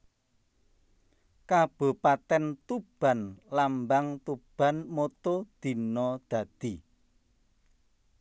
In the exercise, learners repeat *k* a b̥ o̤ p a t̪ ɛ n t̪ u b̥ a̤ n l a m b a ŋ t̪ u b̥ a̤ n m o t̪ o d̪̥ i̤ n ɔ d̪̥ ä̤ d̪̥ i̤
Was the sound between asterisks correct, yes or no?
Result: yes